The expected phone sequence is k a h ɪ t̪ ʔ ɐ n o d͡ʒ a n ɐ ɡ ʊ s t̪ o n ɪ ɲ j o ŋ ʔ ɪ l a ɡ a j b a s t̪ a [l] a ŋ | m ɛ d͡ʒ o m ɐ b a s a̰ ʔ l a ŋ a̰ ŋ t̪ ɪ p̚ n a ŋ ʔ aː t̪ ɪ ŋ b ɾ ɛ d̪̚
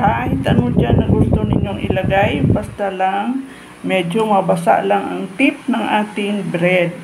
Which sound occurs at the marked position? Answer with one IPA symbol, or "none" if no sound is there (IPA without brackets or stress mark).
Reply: l